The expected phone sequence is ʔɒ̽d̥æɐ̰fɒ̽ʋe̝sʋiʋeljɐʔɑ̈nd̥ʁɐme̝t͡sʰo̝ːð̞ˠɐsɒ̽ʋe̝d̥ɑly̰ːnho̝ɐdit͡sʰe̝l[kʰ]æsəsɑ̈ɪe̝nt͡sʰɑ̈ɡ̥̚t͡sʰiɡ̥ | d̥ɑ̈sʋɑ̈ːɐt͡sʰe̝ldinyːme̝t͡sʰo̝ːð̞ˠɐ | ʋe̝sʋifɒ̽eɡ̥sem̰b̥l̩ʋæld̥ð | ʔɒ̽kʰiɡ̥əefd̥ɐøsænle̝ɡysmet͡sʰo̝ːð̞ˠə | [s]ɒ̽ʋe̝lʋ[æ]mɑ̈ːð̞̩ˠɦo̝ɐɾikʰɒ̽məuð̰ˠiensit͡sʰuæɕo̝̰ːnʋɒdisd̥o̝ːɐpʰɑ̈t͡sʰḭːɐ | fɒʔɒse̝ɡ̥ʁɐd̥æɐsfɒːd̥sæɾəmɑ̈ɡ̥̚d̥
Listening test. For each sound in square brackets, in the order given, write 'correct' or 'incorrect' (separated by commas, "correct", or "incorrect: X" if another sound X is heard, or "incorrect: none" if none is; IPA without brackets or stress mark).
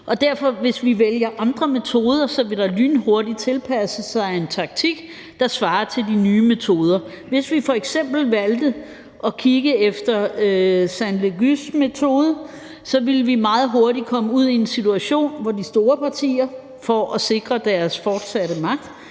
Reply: incorrect: pʰ, correct, incorrect: i